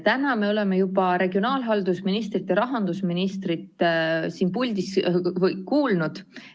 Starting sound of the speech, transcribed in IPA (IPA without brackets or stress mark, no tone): t̪